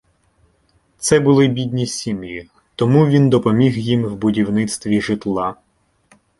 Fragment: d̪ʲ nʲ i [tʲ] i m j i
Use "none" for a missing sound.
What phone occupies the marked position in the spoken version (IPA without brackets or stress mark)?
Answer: sʲ